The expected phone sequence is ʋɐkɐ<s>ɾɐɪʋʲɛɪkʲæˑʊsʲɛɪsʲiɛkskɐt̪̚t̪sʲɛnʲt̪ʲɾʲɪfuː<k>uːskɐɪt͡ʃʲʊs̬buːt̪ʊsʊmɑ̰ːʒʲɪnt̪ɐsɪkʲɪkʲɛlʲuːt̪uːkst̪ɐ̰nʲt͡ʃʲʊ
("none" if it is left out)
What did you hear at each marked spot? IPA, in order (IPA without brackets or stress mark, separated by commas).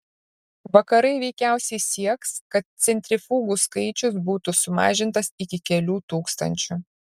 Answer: none, ɡ